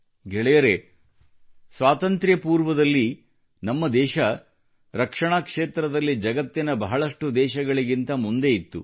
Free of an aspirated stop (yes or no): yes